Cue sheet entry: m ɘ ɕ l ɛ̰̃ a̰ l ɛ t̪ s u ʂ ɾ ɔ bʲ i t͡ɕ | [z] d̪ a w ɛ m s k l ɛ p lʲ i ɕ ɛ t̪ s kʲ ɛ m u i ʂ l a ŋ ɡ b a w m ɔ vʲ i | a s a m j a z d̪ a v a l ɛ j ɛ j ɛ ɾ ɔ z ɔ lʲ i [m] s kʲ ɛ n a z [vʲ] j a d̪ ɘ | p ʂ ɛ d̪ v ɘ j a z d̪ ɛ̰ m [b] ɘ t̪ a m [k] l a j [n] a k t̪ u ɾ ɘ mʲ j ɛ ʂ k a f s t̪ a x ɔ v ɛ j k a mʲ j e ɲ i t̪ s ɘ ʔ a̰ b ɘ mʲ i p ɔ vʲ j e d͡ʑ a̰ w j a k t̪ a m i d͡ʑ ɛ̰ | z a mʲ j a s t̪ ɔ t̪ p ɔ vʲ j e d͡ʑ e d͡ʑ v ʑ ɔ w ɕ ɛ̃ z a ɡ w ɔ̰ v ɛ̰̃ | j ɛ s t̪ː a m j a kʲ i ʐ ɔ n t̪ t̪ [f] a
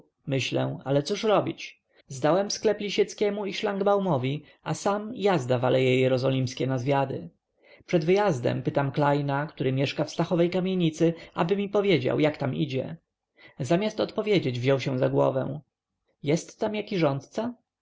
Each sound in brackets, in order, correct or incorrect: correct, correct, correct, incorrect: p, correct, correct, incorrect: s

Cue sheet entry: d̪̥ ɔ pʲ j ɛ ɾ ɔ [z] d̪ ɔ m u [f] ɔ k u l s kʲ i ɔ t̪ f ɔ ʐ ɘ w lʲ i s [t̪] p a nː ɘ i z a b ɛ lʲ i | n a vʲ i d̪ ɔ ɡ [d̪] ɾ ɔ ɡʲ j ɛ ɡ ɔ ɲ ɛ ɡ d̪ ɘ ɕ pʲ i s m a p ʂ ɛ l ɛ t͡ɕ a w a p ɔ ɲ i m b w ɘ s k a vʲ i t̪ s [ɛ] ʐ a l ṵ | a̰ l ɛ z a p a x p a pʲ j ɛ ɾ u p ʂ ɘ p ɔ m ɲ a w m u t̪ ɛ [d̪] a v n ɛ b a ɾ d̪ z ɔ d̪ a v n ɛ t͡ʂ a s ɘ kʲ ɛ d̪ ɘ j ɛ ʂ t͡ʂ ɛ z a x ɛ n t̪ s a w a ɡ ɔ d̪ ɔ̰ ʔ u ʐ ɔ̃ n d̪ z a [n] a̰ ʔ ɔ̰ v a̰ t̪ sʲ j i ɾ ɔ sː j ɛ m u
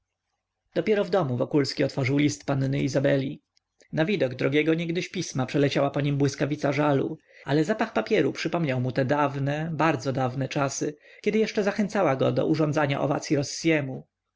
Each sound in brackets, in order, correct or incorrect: incorrect: v, incorrect: v, correct, correct, incorrect: a, correct, incorrect: ɲ

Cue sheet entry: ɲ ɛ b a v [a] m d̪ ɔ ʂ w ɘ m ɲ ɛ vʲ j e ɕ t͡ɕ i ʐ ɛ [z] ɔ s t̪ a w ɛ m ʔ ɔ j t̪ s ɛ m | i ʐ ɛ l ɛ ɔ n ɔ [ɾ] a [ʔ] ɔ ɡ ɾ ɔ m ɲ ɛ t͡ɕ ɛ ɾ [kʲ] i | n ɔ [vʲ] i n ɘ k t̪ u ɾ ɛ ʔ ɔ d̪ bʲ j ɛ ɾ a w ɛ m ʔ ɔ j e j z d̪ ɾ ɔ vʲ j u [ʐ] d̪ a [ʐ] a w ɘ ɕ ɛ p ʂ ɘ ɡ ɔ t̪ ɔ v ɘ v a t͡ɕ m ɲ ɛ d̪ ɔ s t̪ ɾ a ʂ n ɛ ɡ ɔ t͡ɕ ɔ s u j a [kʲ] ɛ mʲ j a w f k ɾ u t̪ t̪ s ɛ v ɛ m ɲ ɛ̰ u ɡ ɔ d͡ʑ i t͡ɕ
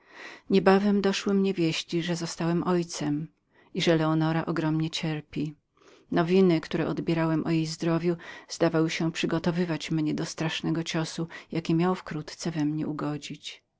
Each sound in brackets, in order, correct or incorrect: incorrect: ɛ, correct, correct, correct, incorrect: pʲ, correct, incorrect: z, incorrect: v, correct

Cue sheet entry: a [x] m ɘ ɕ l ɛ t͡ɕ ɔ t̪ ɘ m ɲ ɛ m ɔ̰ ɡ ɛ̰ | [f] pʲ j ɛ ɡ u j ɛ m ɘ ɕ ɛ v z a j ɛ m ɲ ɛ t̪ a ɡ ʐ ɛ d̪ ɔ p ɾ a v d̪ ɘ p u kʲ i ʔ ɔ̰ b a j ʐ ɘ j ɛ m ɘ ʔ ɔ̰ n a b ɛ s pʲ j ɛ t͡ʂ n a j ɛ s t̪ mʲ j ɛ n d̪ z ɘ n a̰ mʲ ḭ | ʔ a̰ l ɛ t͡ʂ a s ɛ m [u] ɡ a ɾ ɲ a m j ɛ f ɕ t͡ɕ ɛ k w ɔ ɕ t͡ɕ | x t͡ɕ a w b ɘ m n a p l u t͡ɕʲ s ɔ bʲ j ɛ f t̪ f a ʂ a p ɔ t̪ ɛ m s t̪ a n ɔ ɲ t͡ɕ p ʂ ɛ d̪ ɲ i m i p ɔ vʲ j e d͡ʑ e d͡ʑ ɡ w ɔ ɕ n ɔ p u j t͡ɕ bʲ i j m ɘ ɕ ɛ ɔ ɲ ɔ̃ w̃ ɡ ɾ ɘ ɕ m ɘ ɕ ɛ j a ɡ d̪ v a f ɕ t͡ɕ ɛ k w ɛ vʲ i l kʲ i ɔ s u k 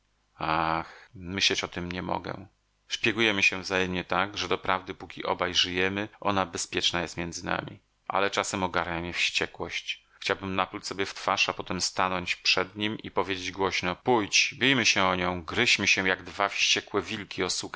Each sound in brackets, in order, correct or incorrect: correct, incorrect: ʂ, incorrect: ɔ

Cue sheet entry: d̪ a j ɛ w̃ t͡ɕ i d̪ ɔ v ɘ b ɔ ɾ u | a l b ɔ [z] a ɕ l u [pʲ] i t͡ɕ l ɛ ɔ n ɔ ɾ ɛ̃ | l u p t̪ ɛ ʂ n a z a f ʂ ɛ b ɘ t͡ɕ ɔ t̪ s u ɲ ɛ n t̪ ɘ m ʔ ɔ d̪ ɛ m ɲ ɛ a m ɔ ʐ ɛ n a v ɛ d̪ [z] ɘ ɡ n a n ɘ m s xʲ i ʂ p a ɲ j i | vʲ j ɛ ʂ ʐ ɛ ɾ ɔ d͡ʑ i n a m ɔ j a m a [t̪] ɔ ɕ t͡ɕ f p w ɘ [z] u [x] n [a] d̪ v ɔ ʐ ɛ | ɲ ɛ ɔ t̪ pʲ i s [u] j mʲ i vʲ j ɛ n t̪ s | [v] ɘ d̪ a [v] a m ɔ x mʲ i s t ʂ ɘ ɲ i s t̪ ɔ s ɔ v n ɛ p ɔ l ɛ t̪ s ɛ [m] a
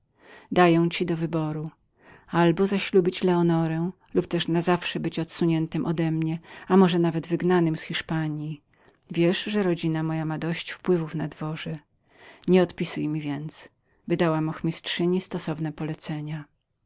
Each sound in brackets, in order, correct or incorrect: correct, incorrect: bʲ, incorrect: v, incorrect: d̪, incorrect: v, incorrect: f, correct, correct, correct, incorrect: w, incorrect: ɲ

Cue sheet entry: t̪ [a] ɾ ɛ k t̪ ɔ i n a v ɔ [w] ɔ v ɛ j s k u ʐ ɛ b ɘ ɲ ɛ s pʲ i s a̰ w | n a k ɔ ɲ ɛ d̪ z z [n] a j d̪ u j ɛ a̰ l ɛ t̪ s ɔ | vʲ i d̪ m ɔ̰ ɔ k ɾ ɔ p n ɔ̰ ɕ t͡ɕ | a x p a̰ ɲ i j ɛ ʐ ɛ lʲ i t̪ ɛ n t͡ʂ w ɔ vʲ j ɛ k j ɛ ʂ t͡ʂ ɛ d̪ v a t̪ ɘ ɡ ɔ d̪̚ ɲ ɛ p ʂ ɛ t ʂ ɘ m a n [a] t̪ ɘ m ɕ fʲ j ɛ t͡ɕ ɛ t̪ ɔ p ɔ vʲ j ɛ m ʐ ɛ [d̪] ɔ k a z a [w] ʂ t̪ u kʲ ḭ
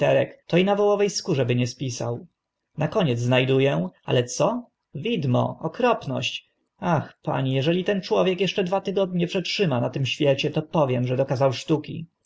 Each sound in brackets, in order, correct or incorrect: incorrect: ɛ, correct, correct, correct, correct, correct

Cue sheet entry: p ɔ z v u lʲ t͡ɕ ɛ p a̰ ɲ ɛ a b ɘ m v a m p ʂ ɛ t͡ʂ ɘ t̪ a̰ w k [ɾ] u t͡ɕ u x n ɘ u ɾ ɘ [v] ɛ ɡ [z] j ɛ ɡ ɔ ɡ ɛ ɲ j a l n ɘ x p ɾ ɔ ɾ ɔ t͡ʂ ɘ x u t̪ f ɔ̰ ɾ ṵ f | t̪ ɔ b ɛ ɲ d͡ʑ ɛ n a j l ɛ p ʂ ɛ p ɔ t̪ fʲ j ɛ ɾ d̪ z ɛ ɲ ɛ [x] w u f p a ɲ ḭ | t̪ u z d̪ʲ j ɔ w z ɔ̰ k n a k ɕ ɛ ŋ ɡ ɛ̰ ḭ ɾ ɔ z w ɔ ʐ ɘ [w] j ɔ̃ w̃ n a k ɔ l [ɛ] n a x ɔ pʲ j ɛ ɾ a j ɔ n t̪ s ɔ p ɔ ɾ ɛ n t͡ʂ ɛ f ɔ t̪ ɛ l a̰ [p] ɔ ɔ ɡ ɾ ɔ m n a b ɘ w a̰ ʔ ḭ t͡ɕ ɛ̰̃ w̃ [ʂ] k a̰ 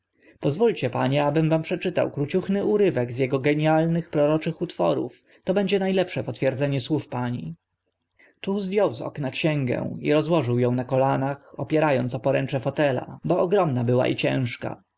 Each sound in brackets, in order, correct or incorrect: correct, correct, correct, incorrect: s, correct, incorrect: a, incorrect: b, correct

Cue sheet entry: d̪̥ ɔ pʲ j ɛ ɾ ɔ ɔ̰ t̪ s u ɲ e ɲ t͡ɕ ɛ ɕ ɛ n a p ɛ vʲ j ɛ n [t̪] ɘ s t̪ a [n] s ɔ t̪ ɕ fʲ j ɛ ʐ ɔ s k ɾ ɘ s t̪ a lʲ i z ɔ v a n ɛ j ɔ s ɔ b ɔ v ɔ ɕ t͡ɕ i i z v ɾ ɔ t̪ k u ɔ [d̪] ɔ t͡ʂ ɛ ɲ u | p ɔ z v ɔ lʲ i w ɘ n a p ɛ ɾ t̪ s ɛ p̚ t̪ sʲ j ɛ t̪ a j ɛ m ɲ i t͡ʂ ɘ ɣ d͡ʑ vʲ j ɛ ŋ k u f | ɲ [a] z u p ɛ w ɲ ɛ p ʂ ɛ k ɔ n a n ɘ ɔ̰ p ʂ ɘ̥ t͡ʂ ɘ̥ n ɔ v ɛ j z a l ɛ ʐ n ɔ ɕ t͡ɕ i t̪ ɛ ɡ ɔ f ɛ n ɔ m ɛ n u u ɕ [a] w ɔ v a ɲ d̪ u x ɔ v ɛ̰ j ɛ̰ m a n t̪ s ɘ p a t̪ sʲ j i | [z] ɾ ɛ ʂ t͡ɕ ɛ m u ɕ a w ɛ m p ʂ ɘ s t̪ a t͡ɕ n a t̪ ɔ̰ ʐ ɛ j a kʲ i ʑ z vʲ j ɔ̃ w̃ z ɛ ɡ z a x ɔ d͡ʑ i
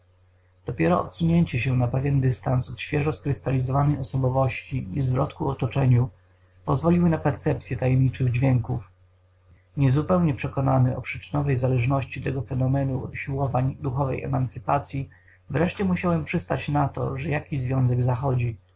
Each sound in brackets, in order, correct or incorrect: incorrect: d̪, correct, incorrect: t̪, incorrect: ɛ, incorrect: i, incorrect: v

